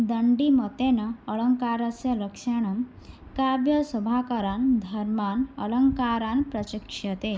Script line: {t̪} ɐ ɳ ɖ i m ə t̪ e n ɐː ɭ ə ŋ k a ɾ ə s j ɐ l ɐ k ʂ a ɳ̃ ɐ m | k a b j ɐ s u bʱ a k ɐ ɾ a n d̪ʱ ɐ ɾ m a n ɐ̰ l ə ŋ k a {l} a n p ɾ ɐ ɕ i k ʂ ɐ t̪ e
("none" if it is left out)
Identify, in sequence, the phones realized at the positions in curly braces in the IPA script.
d̪, ɾ

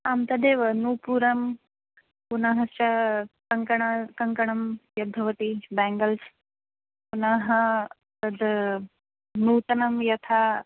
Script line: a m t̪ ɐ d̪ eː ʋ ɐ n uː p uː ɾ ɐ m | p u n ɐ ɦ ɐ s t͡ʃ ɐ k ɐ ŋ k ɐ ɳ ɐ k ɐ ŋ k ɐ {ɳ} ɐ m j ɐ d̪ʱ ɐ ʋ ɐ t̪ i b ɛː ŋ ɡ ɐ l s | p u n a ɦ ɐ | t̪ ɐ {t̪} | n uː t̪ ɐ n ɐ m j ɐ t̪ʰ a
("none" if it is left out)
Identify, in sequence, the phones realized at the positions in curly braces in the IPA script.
ɳ, d̪

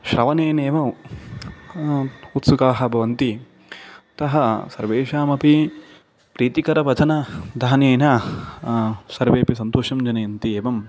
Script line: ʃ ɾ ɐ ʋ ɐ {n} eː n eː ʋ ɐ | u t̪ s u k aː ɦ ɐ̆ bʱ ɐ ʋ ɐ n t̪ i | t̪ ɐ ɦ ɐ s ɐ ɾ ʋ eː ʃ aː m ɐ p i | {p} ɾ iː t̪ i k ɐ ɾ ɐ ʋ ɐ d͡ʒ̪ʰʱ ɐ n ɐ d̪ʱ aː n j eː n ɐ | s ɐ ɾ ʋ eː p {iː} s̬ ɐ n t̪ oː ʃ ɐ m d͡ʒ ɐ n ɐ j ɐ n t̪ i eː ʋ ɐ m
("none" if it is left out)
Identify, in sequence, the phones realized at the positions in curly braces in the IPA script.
n, p, i

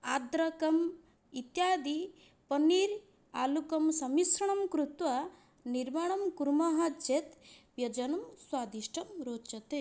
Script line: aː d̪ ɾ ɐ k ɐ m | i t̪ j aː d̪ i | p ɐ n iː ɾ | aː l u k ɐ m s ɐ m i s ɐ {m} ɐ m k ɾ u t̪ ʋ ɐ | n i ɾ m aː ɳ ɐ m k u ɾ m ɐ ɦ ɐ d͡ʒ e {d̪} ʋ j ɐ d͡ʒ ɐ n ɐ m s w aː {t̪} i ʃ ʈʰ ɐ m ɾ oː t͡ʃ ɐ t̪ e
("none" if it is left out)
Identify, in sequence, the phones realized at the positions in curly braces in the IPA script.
ɳ, t̪, d̪

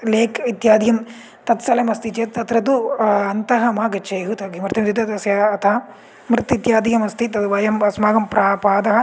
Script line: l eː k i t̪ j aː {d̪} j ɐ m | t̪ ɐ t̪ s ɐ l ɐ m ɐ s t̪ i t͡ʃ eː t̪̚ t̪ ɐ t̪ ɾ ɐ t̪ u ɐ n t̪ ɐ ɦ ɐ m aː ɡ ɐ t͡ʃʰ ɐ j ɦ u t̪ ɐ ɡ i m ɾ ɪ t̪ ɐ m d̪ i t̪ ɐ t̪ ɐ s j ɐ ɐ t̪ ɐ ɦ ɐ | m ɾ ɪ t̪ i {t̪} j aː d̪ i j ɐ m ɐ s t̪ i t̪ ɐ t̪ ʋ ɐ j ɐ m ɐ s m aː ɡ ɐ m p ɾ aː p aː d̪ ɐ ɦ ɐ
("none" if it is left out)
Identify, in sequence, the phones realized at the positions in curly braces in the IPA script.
d̪, t̪

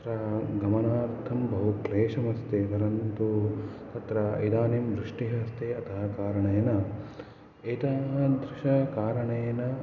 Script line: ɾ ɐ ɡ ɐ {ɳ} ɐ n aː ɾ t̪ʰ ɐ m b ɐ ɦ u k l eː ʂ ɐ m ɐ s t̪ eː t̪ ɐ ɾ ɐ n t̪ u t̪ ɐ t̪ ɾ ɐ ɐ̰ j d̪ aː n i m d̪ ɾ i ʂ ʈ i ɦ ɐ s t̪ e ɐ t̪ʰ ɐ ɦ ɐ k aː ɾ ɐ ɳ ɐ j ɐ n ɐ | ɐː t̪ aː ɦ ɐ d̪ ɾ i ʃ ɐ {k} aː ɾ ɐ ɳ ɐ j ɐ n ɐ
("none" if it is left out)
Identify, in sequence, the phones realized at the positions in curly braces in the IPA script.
m, k

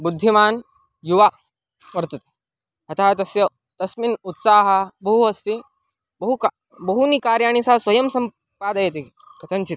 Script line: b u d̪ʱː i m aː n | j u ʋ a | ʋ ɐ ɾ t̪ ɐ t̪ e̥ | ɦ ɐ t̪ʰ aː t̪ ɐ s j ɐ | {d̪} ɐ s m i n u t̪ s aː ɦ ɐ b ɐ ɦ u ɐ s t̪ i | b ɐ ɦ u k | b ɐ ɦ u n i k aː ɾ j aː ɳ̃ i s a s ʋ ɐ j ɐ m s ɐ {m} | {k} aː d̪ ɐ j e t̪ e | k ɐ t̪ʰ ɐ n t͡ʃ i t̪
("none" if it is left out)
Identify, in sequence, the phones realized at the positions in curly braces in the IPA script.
t̪, m, p

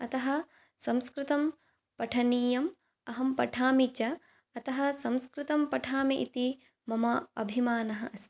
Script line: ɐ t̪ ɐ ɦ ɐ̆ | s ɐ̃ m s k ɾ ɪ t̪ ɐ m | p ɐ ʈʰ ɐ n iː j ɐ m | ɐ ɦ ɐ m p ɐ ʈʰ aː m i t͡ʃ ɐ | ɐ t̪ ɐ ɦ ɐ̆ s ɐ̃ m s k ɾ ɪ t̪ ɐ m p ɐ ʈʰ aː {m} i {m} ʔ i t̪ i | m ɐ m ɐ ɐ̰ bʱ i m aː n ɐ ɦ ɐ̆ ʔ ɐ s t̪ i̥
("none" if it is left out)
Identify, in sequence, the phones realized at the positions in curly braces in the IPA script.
m, none

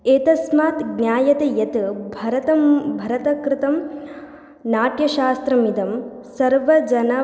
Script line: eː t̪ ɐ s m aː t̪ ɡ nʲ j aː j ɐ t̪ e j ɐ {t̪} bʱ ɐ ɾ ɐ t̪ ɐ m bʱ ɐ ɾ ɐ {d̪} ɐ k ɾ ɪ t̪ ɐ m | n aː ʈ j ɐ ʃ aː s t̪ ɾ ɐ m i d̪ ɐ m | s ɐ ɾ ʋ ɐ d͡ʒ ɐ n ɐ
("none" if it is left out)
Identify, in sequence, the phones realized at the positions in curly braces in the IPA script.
t̪, t̪

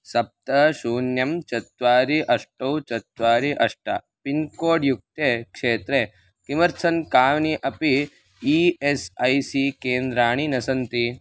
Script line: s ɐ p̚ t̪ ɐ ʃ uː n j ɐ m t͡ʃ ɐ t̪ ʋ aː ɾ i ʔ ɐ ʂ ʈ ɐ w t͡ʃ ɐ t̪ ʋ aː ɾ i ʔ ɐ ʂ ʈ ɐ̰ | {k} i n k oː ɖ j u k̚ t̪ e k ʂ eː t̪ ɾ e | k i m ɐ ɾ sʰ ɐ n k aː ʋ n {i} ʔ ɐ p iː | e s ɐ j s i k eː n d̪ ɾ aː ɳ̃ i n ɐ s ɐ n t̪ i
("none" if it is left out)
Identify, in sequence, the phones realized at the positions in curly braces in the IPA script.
p, i

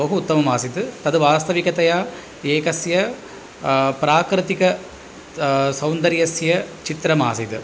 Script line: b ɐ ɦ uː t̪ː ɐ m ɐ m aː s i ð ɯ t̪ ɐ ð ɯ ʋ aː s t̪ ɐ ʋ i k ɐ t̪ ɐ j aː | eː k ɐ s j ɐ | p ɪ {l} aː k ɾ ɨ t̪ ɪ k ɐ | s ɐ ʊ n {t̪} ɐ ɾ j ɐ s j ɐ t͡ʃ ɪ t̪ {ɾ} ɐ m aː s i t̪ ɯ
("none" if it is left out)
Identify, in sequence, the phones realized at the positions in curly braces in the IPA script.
ɾ, d̪, ɾ

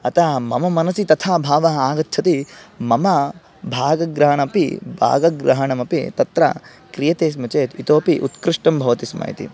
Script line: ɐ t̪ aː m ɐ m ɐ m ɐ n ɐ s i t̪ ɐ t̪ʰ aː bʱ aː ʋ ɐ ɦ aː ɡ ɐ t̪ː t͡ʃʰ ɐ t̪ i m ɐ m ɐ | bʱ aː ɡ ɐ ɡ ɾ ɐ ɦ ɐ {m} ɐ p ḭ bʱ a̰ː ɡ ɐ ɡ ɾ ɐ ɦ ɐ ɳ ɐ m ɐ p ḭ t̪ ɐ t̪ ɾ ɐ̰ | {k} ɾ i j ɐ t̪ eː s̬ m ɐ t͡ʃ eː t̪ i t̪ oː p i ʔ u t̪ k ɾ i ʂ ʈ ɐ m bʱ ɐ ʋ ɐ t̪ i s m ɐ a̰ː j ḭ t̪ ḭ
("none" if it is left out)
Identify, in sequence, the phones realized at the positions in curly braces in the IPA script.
ɳ, k

